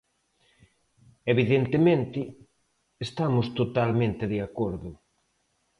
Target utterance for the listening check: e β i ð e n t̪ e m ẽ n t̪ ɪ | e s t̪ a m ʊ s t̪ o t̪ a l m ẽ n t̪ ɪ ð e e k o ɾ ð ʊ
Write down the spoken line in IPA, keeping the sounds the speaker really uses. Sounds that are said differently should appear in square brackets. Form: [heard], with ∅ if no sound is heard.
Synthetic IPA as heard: e β i ð e n t̪ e m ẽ n t̪ ɪ | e s t̪ a m ʊ s t̪ o t̪ a l m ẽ n t̪ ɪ ð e [a] k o ɾ ð ʊ